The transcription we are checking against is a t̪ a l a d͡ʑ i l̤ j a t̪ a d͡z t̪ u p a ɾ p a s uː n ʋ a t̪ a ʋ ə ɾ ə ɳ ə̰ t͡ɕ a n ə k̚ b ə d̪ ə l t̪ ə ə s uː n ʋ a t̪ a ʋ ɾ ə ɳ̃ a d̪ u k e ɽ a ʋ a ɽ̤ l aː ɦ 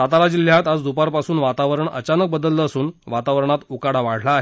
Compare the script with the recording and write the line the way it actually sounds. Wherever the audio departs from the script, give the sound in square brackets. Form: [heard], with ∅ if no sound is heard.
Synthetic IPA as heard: a t̪ a l a d͡ʑ i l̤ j a t̪ a d͡z [d̪] u p a ɾ p a s uː n ʋ a t̪ a ʋ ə ɾ ə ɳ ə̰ t͡ɕ a n ə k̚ b ə d̪ ə l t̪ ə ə s uː n ʋ a t̪ a ʋ ɾ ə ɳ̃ a [t̪] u k [a] ɽ a ʋ a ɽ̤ l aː ɦ